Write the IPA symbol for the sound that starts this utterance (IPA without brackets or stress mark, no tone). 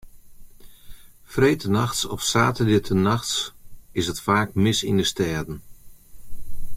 f